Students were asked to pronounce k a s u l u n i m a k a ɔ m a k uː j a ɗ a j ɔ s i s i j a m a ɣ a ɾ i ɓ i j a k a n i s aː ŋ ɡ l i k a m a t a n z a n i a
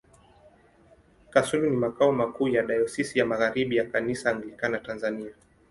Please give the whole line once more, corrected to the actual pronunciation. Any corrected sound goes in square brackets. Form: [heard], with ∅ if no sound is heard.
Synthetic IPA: k a s u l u n i m a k a ɔ m a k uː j a ɗ a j ɔ s i s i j a m a ɣ a ɾ i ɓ i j a k a n i s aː ŋ ɡ l i k a [n] a t a n z a n i a